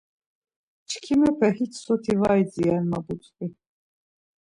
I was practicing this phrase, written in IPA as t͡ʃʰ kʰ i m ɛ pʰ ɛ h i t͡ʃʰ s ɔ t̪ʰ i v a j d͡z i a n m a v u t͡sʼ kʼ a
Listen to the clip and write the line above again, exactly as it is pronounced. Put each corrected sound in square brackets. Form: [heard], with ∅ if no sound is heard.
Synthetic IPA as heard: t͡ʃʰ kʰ i m ɛ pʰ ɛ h i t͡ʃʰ s ɔ t̪ʰ i v a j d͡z i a n m a [b] u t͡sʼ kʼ [i]

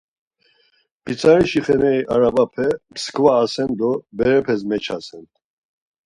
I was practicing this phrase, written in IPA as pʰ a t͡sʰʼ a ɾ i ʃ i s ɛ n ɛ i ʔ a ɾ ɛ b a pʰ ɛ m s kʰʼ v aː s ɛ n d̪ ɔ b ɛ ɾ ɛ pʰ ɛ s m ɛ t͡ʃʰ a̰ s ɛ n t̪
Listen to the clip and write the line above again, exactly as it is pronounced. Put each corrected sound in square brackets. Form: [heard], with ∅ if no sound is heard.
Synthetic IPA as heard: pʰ [i] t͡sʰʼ a ɾ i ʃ i [χ] ɛ n ɛ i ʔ a ɾ [a] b a pʰ ɛ m s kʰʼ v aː s ɛ n d̪ ɔ b ɛ ɾ ɛ pʰ ɛ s m ɛ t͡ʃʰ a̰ s ɛ n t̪

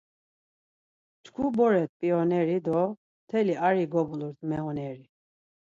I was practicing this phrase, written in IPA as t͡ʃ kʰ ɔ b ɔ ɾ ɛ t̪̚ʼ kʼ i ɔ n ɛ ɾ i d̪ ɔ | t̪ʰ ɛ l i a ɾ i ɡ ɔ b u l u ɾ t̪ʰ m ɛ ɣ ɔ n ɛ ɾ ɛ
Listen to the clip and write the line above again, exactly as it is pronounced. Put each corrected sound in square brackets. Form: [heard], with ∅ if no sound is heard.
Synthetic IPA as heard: t͡ʃ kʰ [u] b ɔ ɾ ɛ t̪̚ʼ [pʼ] i ɔ n ɛ ɾ i d̪ ɔ | t̪ʰ ɛ l i a ɾ i ɡ ɔ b u l u ɾ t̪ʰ m ɛ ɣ ɔ n ɛ ɾ [i]

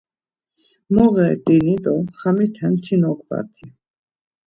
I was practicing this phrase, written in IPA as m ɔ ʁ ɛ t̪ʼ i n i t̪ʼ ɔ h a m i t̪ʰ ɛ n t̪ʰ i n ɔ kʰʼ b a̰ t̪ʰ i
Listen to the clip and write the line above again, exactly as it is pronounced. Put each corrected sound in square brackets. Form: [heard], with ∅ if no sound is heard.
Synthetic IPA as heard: m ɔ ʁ ɛ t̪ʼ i n i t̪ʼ ɔ [χ] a m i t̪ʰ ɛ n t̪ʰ i n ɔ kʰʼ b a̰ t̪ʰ i

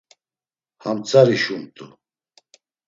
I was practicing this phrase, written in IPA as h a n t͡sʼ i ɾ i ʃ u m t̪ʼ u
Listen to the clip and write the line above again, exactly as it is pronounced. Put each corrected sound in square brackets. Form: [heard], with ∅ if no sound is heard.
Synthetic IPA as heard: h a [m] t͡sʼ [a] ɾ i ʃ u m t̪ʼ u

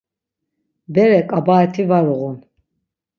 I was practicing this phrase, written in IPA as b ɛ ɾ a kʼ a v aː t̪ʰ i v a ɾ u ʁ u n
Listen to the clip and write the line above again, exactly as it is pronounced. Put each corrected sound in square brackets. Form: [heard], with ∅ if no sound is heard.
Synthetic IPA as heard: b ɛ ɾ [ɛ] kʼ a [b] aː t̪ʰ i v a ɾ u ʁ u n

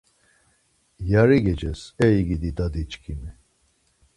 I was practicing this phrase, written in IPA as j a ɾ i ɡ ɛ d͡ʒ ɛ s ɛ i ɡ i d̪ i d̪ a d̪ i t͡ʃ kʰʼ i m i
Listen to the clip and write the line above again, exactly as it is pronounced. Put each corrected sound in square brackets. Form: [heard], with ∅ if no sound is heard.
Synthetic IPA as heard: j a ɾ i ɡ ɛ d͡ʒ ɛ s ɛ i ɡ i d̪ i d̪ a d̪ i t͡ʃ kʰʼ i m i

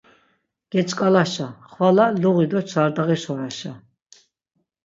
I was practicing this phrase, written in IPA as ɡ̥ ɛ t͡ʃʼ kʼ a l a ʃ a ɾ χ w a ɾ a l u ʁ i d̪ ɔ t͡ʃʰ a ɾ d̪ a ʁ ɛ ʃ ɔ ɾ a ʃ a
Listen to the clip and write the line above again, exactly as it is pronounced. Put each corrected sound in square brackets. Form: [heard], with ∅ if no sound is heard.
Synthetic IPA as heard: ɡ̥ ɛ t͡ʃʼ kʼ a l a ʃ a [∅] χ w a [l] a l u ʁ i d̪ ɔ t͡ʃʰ a ɾ d̪ a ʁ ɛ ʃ ɔ ɾ a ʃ a

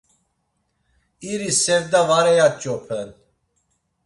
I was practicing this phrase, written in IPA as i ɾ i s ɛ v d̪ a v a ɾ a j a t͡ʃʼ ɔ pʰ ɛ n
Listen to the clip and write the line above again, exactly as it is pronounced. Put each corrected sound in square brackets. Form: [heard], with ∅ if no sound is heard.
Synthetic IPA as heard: i ɾ i s ɛ v d̪ a v a ɾ [ɛ] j a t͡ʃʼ ɔ pʰ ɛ n

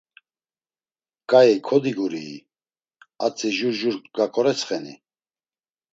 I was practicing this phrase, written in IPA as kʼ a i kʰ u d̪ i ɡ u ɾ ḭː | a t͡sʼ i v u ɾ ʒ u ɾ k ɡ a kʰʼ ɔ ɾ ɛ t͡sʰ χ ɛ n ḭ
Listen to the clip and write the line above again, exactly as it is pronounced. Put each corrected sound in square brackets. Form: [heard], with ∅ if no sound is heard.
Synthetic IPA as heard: kʼ a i kʰ [ɔ] d̪ i ɡ u ɾ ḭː | a t͡sʼ i [ʒ] u ɾ ʒ u ɾ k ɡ a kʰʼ ɔ ɾ ɛ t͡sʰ χ ɛ n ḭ

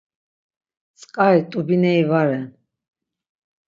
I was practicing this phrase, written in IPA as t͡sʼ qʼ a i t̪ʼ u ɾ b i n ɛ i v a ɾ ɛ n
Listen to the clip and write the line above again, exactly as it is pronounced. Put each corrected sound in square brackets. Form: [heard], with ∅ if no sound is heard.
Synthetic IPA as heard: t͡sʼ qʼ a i t̪ʼ u [∅] b i n ɛ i v a ɾ ɛ n

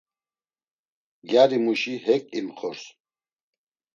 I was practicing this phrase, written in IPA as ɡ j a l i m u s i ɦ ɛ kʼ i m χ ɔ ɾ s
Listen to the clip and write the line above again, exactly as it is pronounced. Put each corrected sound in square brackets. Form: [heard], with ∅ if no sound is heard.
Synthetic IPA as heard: ɡ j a [ɾ] i m u [ʃ] i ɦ ɛ kʼ i m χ ɔ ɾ s

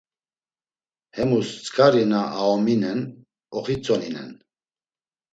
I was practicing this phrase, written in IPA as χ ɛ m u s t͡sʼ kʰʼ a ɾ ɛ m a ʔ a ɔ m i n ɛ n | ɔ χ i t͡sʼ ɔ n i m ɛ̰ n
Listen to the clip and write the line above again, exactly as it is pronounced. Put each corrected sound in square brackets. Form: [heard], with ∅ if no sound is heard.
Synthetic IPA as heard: [h] ɛ m u s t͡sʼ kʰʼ a ɾ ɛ [n] a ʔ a ɔ m i n ɛ n | ɔ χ i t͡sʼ ɔ n i [n] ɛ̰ n

